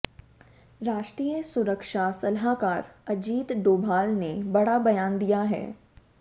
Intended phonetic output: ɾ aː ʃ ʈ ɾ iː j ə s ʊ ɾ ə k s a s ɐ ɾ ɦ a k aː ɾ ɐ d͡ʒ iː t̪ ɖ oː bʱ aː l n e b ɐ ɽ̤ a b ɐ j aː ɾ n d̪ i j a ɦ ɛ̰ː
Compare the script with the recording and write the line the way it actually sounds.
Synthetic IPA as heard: ɾ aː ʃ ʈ ɾ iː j ə s ʊ ɾ ə k ʃ a s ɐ l ɦ a k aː ɾ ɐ d͡ʒ iː t̪ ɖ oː bʱ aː l n e b ɐ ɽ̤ a b ɐ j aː n d̪ i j a ɦ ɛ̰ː